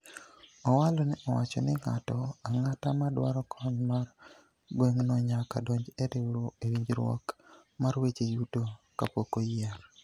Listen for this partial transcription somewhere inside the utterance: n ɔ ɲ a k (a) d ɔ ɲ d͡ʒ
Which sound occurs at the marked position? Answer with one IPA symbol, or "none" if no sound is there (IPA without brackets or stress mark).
a